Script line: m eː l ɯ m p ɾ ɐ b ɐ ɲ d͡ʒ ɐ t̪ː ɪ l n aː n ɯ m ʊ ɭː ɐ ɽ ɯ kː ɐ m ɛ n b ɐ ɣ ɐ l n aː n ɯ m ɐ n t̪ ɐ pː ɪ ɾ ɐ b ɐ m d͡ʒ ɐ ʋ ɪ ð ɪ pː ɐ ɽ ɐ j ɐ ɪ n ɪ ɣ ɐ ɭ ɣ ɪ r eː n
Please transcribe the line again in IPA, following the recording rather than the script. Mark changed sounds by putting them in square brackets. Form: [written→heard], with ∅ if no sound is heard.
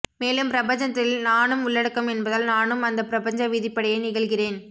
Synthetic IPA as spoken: m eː l ɯ m p ɾ ɐ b ɐ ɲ d͡ʒ ɐ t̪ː ɪ l n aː n ɯ m ʊ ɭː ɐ ɽ ɯ kː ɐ m ɛ n b ɐ [ɣ→ð] ɐ l n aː n ɯ m ɐ n [t̪→d̪] ɐ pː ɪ ɾ ɐ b ɐ [m→ɲ] d͡ʒ ɐ ʋ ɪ ð ɪ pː ɐ ɽ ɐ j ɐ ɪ n ɪ ɣ ɐ ɭ ɣ ɪ r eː n